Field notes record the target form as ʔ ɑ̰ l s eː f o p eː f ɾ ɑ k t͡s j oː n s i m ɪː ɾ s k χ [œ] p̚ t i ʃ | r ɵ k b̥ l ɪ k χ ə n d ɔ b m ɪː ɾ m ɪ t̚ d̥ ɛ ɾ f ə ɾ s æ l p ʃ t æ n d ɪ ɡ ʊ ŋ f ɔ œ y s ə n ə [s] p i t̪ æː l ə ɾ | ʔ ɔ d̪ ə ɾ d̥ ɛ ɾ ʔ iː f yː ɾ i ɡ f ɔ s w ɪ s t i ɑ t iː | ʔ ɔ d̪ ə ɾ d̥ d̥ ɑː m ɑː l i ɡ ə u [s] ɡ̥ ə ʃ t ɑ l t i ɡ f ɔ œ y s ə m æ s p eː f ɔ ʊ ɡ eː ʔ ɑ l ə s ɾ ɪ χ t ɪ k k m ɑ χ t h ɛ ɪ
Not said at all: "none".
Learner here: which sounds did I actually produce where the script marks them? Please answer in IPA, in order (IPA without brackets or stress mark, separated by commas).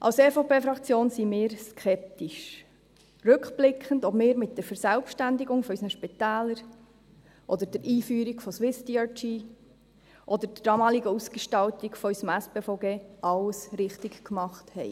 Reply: ɛ, ʃ, s